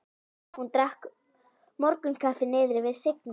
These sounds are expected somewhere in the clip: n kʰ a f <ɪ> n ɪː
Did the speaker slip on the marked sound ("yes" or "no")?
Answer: no